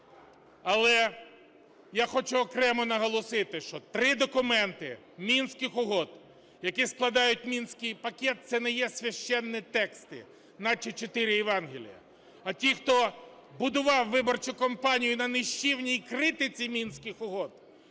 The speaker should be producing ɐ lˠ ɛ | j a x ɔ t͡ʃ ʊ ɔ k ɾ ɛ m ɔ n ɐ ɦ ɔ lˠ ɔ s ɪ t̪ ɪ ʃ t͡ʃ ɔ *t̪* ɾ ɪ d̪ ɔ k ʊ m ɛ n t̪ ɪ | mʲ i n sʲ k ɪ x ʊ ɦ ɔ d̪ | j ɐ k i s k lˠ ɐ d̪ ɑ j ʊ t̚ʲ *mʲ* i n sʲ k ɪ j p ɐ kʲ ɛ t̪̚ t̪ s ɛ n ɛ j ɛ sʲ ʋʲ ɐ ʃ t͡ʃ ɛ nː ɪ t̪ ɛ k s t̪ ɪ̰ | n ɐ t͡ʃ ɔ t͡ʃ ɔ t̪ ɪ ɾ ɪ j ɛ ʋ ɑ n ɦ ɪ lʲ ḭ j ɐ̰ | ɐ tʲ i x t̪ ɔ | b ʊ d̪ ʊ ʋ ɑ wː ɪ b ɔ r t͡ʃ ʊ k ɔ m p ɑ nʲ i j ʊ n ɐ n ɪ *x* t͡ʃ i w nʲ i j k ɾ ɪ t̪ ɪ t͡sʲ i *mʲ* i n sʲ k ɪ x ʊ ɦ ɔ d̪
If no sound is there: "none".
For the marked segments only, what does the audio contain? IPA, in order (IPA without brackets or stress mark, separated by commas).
t̪, mʲ, ʃ, mʲ